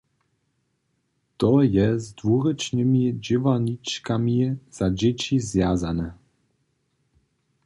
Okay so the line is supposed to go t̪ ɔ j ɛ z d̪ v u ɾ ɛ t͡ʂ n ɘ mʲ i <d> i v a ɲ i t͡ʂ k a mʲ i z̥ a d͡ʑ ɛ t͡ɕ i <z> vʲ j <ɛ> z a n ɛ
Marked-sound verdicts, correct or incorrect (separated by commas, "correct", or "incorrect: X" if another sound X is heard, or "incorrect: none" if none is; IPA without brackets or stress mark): incorrect: d͡ʑ, correct, incorrect: a